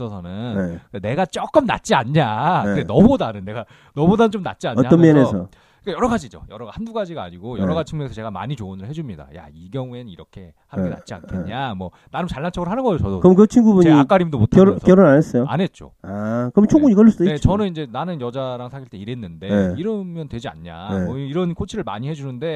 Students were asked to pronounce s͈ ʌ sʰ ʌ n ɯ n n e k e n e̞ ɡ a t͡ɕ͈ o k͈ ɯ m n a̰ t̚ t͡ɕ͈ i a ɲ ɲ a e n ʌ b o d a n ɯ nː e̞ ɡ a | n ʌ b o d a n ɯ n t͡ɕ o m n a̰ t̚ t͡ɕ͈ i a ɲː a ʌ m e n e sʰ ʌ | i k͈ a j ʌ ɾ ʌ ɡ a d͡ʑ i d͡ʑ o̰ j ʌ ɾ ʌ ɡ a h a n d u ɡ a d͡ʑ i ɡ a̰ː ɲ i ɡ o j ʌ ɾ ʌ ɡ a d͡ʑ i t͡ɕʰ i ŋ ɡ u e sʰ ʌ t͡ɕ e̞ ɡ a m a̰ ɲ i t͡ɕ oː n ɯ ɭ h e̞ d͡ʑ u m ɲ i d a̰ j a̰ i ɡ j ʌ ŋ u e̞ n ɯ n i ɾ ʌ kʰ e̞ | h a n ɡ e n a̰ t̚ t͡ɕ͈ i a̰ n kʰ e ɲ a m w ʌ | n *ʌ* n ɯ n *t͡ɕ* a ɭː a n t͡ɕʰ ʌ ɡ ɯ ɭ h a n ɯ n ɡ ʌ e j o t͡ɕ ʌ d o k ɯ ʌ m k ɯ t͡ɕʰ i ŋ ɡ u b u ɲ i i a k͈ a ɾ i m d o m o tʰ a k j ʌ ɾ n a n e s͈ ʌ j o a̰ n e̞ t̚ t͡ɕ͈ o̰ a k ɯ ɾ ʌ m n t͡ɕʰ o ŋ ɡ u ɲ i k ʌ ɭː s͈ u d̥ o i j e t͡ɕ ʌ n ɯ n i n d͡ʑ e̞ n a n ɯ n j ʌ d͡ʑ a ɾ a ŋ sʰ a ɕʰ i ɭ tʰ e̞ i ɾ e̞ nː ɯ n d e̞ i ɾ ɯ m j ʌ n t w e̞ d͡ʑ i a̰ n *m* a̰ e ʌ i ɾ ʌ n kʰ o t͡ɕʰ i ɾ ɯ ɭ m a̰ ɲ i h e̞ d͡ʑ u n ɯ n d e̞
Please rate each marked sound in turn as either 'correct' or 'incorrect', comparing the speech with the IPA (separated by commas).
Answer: incorrect, correct, incorrect